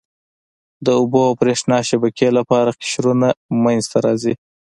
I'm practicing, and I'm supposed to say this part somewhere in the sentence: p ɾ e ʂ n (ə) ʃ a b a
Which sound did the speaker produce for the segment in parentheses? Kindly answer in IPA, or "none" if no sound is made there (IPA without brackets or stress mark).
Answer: ɑ